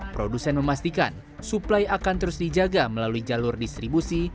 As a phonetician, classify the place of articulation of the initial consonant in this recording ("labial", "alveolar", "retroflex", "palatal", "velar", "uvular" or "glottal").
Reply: labial